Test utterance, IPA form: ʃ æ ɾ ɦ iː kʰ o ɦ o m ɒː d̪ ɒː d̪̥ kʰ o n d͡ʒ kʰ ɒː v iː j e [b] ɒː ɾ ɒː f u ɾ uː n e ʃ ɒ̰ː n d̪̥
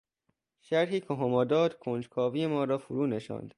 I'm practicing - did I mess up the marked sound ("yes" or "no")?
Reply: yes